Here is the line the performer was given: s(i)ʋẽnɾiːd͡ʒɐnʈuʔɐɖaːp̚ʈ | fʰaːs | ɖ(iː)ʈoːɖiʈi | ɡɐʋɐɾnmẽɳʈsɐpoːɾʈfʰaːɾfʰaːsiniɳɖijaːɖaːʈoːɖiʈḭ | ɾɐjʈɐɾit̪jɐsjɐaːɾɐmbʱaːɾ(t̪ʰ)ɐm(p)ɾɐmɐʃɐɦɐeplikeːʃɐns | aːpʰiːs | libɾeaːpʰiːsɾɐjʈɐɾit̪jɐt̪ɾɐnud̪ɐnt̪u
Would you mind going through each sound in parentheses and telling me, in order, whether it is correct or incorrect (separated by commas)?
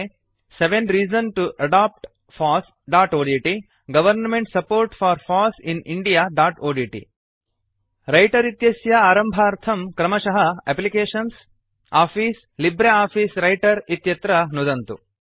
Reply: incorrect, incorrect, correct, incorrect